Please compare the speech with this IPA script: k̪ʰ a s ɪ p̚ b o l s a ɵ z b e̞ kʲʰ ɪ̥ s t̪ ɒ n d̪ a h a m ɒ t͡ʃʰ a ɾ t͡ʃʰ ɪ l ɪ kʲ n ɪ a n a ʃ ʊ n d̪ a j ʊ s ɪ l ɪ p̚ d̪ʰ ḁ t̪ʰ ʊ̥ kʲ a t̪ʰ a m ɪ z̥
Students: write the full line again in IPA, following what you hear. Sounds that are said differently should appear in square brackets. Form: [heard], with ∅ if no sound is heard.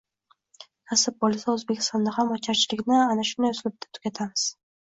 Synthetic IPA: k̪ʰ a s ɪ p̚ b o l s a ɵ z b e̞ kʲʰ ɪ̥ s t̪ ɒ n d̪ a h a m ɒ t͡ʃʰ a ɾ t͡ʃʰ ɪ l ɪ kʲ n ɪ a n a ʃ ʊ n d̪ a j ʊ s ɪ l ɪ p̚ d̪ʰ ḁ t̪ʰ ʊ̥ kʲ a t̪ʰ a m ɪ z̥